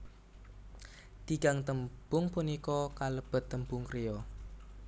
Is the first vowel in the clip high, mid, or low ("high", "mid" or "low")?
high